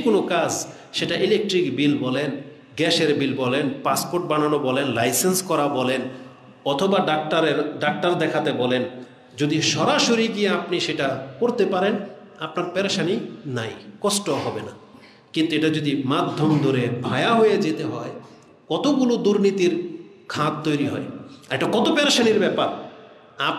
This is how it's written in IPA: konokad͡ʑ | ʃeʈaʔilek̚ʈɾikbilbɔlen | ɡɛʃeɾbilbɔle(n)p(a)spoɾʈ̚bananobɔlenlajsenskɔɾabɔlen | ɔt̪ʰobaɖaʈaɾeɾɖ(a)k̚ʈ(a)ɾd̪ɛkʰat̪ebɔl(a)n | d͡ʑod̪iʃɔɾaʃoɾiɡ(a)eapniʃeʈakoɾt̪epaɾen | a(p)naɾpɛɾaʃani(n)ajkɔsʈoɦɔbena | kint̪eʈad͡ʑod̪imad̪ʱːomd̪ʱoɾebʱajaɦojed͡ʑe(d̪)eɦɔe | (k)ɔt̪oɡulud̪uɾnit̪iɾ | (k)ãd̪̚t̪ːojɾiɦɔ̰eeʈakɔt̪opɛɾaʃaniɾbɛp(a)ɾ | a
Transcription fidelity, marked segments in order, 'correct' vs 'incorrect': correct, correct, correct, correct, incorrect: e, incorrect: i, correct, correct, incorrect: t̪, correct, incorrect: kʰ, correct

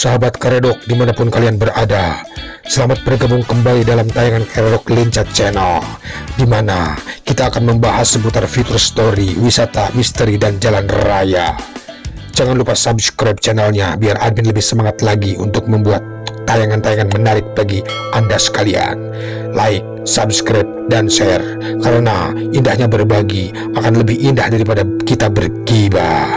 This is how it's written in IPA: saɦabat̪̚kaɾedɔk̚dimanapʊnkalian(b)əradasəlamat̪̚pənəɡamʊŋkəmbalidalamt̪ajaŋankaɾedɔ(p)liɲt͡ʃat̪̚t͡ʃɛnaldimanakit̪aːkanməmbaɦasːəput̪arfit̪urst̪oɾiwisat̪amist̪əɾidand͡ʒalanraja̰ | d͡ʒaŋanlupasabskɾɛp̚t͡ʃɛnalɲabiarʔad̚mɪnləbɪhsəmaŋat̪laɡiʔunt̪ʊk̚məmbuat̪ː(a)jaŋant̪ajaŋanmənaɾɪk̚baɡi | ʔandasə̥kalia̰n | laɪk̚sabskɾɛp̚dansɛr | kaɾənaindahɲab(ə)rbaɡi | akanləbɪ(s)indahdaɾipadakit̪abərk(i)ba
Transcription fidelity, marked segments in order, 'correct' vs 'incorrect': correct, incorrect: k, correct, correct, incorrect: h, correct

